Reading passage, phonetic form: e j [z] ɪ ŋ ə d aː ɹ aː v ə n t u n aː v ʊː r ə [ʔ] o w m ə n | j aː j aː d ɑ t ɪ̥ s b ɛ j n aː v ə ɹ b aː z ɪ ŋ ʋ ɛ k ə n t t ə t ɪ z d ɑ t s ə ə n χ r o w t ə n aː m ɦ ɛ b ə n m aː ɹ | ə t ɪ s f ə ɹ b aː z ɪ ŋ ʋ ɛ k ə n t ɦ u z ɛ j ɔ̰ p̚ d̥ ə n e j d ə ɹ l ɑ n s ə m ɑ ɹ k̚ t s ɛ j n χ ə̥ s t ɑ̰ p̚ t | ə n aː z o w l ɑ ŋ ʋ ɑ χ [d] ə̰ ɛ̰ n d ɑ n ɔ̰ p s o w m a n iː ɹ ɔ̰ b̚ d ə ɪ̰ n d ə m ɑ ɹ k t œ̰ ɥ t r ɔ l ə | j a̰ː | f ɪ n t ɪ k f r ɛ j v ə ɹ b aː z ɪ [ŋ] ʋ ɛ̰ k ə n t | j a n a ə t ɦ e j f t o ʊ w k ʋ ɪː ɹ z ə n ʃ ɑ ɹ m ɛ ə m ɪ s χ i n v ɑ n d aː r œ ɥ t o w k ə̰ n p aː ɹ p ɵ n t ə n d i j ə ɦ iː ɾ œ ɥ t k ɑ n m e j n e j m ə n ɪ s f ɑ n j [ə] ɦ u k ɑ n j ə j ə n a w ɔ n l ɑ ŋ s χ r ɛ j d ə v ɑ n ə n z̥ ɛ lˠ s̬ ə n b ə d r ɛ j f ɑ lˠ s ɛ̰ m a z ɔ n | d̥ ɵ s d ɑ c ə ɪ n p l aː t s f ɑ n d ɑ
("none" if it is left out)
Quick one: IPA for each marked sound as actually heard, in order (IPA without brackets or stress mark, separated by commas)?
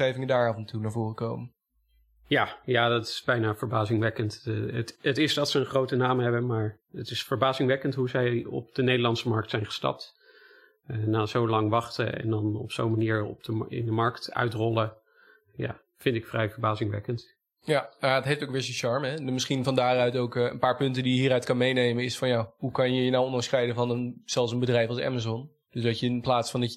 v, k, t, ŋ, a